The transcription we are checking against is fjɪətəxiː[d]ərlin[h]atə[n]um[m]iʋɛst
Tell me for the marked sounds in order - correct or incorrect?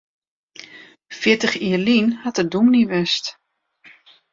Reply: incorrect, correct, incorrect, incorrect

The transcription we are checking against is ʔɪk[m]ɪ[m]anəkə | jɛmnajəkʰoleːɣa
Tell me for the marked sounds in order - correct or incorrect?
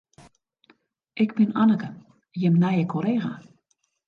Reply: incorrect, incorrect

